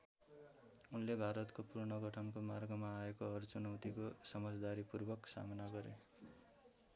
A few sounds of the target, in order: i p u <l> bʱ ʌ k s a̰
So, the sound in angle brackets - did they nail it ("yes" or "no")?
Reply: no